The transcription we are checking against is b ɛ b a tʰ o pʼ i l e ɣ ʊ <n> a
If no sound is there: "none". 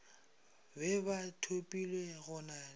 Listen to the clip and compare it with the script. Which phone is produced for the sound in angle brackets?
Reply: n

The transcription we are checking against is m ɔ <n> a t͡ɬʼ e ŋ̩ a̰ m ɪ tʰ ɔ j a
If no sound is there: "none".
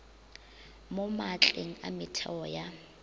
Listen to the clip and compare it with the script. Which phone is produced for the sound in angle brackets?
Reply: m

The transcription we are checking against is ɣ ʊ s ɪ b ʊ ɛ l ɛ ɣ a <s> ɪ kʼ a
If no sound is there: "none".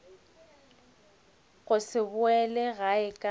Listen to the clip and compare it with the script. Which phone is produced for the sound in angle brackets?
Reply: none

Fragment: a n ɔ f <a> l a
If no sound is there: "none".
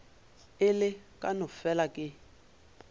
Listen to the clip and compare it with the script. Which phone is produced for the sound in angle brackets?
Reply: ɛ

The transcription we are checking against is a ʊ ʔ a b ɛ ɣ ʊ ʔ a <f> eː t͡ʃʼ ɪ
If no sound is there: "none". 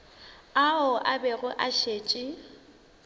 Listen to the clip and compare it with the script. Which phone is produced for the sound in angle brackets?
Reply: ʃ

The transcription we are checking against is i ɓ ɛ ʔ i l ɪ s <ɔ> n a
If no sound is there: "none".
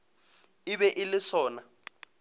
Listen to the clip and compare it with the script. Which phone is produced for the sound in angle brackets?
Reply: ɔː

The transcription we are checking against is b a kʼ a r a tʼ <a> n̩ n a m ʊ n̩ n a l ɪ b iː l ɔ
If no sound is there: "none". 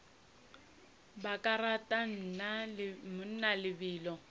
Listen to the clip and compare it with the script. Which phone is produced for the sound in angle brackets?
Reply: a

